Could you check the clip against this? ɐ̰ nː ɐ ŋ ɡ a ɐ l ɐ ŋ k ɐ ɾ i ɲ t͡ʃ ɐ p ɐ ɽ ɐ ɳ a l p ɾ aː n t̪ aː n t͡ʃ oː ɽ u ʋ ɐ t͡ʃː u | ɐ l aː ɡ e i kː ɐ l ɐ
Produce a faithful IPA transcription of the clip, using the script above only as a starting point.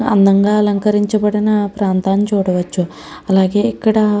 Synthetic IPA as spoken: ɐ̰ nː ɐ ŋ ɡ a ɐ l ɐ ŋ k ɐ ɾ i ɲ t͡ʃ ɐ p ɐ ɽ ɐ n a p ɾ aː n t̪ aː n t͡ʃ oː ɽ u ʋ ɐ t͡ʃː u | ɐ l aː ɡ e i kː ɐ ɽ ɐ